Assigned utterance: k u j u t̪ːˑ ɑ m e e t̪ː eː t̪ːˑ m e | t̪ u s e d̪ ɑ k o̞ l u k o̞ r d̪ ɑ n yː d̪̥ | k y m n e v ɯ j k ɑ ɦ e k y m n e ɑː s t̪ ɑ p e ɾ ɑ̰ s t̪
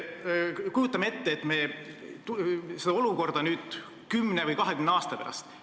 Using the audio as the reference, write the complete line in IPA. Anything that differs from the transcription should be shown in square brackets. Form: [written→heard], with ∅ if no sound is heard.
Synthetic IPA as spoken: k u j u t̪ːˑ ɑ m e e t̪ː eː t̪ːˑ m e | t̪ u s e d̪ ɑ [k→∅] o̞ l u k o̞ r d̪ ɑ n yː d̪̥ | k y m n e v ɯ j k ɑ ɦ e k y m n e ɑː s t̪ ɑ p e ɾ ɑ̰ s t̪